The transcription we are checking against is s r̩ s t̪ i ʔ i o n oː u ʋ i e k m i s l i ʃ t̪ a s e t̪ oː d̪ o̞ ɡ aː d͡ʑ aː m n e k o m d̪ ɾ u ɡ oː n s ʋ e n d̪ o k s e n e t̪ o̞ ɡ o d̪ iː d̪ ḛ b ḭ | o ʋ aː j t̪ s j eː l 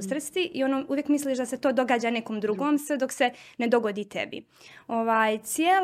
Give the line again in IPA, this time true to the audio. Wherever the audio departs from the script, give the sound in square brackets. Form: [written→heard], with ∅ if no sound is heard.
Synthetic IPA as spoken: s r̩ s t̪ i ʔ i o n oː u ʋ [i→j] e k m i s l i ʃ [t̪→d̪] a s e t̪ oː d̪ o̞ ɡ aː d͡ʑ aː [m→∅] n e k o m d̪ ɾ u ɡ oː [n→m] s ʋ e [n→∅] d̪ o k s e n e [t̪→d̪] o̞ ɡ o d̪ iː [d̪→t̪] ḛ b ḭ | o ʋ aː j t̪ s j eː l